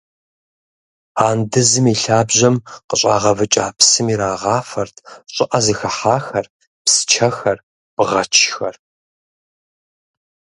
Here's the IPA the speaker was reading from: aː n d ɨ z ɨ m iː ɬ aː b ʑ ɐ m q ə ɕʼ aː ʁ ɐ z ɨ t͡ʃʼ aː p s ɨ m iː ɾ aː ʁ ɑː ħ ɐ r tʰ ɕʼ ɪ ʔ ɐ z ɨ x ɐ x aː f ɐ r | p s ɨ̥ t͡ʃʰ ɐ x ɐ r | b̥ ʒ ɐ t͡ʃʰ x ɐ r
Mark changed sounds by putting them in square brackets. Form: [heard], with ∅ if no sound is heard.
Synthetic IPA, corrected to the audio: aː n d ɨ z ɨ m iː ɬ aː b ʑ ɐ m q ə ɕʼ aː ʁ ɐ [v] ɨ t͡ʃʼ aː p s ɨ m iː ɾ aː ʁ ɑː [f] ɐ r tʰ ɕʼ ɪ ʔ ɐ z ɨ x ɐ [ħ] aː [x] ɐ r | p s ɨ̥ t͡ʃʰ ɐ x ɐ r | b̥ [ʁ] ɐ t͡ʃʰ x ɐ r